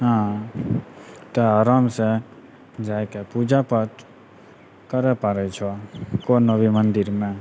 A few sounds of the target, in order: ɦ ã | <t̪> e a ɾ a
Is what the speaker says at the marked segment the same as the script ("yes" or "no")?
yes